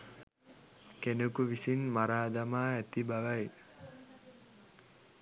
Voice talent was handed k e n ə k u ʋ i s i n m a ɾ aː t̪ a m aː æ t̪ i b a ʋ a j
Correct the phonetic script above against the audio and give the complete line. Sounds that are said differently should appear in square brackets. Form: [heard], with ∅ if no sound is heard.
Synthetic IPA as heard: k e n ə k u ʋ i s i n m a ɾ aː [d̪] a m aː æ t̪ i b a ʋ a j